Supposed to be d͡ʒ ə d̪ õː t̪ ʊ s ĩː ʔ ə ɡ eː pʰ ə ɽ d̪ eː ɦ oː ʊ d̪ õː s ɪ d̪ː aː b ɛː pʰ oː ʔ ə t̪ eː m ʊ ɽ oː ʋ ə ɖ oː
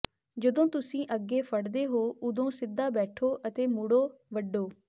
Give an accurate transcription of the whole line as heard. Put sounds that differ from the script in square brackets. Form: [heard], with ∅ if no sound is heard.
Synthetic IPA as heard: d͡ʒ ə d̪ õː t̪ ʊ s ĩː ʔ ə ɡ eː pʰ ə ɽ d̪ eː ɦ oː ʊ d̪ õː s ɪ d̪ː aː b ɛː [ʈʰ] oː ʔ ə t̪ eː m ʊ ɽ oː ʋ ə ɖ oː